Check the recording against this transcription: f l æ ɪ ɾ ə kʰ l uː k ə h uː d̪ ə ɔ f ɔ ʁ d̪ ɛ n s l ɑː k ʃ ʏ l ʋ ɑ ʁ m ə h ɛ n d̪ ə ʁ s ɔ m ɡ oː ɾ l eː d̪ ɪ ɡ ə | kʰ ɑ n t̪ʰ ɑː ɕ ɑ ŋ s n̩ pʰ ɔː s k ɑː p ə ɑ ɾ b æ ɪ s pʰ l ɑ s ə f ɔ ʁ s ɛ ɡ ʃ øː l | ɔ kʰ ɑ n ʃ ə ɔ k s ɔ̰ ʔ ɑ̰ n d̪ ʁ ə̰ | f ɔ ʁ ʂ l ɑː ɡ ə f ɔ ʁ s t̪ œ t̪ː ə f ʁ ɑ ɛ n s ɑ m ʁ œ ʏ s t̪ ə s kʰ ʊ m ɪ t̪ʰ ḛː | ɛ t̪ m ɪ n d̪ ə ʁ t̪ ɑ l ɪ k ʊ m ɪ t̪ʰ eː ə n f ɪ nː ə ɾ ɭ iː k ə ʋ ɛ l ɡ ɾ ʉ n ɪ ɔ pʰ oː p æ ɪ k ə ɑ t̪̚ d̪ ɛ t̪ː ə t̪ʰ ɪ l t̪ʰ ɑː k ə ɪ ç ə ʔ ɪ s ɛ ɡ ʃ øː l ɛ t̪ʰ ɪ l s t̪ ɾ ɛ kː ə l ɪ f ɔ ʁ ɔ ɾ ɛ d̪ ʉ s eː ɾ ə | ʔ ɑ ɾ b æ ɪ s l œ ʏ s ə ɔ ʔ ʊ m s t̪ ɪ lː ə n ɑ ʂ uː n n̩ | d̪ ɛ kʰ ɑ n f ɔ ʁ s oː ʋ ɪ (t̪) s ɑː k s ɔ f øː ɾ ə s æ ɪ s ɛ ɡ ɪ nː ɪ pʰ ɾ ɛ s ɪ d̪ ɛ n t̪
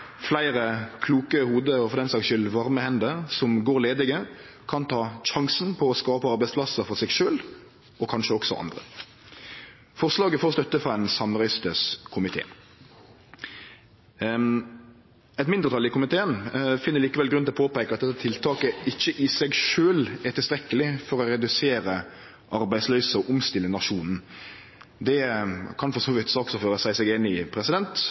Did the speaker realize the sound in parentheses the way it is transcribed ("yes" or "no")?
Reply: yes